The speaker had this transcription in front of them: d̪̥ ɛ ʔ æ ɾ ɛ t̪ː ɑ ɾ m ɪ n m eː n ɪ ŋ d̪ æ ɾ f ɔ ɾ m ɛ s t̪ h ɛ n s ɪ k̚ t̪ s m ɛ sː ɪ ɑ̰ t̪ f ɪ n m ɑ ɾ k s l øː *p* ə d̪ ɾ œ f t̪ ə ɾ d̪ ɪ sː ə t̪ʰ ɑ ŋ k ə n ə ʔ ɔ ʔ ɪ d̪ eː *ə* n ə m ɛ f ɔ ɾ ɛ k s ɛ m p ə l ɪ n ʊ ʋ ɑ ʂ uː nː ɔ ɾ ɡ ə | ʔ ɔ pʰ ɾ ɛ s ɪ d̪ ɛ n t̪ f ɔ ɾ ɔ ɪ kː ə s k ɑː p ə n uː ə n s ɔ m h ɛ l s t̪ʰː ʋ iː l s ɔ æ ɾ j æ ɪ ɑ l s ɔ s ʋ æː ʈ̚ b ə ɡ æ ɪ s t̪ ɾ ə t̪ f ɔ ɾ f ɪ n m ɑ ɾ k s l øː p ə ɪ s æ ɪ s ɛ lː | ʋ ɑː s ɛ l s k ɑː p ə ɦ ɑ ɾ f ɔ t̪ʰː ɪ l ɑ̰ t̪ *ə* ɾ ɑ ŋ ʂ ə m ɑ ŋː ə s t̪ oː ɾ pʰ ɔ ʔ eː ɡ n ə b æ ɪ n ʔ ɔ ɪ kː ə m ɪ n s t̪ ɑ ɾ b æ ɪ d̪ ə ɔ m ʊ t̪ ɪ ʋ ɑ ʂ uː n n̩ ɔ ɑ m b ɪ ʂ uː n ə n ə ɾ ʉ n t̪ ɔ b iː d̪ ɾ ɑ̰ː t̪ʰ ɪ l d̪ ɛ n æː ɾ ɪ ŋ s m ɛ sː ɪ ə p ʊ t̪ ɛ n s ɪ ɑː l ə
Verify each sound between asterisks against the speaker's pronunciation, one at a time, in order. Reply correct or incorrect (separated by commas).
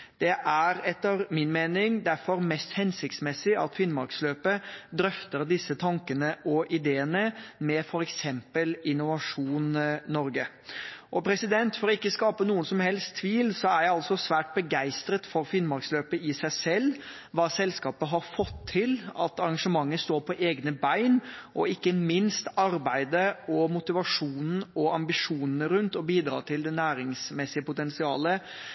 correct, correct, incorrect